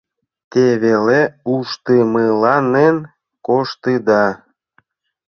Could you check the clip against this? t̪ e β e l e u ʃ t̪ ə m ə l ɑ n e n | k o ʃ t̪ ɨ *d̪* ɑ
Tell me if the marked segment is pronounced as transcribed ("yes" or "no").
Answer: yes